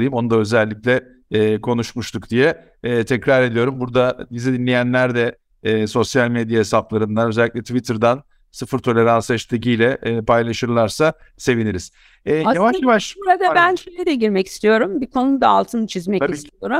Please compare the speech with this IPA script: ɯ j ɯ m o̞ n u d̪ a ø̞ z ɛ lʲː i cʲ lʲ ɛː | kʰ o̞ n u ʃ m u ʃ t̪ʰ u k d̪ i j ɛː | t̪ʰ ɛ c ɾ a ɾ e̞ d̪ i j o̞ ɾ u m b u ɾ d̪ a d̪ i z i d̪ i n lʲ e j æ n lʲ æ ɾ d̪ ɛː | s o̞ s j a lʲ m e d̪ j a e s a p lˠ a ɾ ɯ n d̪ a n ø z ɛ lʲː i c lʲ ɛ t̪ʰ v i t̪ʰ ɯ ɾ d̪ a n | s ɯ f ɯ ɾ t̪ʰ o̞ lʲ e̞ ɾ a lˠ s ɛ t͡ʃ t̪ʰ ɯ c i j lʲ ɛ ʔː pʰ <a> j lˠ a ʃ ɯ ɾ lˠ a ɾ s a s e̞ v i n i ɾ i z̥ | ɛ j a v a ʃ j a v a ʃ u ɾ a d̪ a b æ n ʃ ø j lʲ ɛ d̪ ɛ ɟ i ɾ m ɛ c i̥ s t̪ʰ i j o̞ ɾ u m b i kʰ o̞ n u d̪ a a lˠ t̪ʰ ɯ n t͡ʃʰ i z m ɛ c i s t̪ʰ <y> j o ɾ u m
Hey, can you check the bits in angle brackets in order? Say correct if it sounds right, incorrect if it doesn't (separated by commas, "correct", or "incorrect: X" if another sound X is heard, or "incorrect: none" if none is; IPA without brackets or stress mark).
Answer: correct, incorrect: i